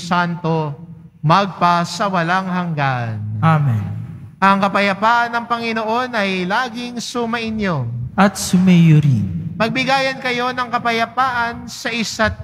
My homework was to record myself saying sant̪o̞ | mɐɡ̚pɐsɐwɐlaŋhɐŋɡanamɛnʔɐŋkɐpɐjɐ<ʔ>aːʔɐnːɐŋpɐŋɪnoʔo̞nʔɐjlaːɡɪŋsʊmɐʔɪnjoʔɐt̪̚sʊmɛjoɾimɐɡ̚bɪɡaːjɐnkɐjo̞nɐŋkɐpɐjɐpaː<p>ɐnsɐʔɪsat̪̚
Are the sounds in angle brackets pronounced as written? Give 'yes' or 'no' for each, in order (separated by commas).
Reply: no, no